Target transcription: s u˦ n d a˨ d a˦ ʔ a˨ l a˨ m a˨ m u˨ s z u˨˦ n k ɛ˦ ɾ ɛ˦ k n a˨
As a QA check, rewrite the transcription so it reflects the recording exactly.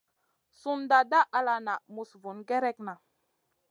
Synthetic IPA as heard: s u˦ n d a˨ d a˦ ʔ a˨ l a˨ n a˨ m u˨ s v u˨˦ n ɡ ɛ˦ ɾ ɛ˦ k n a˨